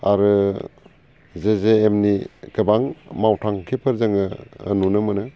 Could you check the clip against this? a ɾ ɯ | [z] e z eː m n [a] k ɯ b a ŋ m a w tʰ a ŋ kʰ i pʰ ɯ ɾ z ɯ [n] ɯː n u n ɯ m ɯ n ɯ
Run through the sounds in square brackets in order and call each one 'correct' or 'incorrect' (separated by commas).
correct, incorrect, incorrect